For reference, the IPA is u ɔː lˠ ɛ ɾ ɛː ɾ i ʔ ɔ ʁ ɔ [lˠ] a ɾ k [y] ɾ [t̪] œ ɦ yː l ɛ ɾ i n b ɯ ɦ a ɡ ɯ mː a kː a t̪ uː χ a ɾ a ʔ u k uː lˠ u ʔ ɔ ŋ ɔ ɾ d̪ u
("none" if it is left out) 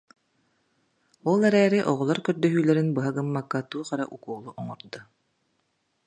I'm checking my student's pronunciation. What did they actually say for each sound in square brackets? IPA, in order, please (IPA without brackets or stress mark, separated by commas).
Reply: lˠ, œ, d̪